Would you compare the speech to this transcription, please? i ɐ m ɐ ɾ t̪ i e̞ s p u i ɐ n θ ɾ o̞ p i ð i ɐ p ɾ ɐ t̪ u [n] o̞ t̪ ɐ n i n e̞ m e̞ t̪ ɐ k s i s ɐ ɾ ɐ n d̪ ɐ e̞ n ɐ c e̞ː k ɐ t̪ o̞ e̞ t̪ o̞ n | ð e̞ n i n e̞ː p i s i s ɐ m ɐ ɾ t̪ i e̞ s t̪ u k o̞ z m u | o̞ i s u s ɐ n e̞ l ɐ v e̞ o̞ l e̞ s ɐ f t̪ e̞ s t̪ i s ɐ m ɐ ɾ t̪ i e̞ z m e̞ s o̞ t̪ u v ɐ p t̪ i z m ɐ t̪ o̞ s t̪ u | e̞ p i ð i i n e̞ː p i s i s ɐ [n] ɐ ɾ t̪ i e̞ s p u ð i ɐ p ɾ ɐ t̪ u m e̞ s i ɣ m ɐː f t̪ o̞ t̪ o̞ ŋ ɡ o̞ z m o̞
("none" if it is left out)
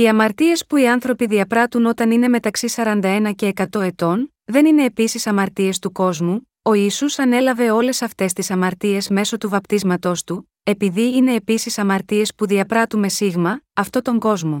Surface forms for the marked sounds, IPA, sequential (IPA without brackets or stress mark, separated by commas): n, m